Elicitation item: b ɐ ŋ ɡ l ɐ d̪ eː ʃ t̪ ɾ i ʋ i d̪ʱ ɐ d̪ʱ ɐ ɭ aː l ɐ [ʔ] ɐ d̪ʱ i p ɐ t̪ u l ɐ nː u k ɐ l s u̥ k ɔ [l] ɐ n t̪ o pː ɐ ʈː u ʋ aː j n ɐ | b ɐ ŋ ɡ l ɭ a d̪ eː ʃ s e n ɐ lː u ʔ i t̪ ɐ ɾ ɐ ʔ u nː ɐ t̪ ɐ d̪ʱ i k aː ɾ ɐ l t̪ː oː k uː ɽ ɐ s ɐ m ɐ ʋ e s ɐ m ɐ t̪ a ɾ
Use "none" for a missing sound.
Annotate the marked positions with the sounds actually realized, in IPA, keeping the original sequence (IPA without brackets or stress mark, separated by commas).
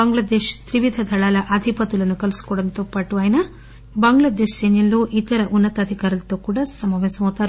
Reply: ʔ, ɽ